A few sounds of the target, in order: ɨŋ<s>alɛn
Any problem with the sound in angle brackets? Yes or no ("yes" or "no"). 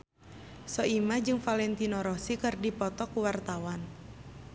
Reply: yes